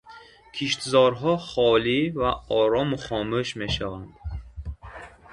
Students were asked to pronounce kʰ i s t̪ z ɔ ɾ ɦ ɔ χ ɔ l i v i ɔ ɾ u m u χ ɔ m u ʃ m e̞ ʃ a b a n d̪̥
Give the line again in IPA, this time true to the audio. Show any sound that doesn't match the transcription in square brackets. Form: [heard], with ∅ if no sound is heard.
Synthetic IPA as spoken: kʰ i [ʃ] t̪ z ɔ ɾ ɦ ɔ χ ɔ l i v [a] ɔ ɾ [ɔ] m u χ ɔ m u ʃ m e̞ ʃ a [v] a n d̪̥